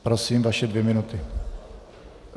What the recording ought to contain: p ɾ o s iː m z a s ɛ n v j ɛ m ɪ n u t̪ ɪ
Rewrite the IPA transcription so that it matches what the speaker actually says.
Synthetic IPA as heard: p ɾ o s iː m v a ʃ ɛ d v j ɛ m ɪ n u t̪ ɪ